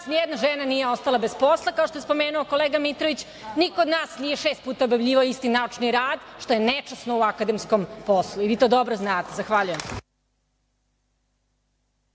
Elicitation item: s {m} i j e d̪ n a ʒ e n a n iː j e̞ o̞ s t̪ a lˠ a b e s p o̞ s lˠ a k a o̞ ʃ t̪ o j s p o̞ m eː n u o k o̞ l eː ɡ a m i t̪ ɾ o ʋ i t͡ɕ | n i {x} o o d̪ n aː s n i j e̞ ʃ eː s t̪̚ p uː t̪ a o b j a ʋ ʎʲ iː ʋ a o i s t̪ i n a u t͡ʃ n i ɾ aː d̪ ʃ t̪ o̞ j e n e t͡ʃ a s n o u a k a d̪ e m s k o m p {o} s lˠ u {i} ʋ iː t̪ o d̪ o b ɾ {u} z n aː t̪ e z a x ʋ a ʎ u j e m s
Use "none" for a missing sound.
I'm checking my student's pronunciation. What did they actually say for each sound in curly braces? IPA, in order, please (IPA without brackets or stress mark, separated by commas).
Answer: n, k, o, i, o